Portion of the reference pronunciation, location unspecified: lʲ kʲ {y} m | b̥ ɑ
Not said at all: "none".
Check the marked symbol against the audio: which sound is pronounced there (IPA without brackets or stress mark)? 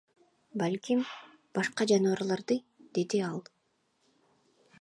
i